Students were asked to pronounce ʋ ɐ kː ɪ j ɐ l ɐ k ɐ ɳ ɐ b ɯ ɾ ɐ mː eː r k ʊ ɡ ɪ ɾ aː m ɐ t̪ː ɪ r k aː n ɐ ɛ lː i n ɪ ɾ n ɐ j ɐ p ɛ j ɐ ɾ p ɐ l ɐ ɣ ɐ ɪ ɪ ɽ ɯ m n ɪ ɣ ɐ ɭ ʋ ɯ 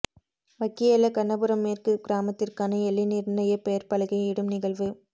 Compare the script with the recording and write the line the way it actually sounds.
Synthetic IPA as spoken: ʋ ɐ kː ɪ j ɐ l ɐ k ɐ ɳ ɐ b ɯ ɾ ɐ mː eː r k ɯ ɡ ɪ ɾ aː m ɐ t̪ː ɪ r k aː n ɐ ɛ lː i n ɪ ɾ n ɐ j ɐ p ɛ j ɐ ɾ p ɐ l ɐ ɣ ɐ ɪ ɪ ɽ ɯ m n ɪ ɣ ɐ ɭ ʋ ɯ